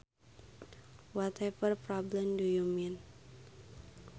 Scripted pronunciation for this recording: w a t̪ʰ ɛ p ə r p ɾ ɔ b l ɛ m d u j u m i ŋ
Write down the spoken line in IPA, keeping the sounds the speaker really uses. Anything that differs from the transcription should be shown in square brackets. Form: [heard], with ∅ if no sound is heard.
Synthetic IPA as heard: w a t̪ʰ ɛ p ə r p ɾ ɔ b l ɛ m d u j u m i [n]